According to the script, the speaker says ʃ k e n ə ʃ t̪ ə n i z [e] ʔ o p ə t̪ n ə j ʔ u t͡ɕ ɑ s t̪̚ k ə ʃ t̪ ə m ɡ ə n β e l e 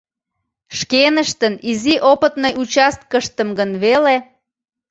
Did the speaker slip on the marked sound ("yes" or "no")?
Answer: yes